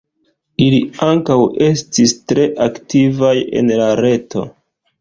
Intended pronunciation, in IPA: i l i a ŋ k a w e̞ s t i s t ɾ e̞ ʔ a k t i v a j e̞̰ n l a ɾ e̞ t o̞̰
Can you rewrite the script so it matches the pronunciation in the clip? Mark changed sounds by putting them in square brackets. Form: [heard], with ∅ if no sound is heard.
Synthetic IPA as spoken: i l i a ŋ k a w e̞ s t i s t ɾ e̞ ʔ a k t i v a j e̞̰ n l a ɾ e̞ t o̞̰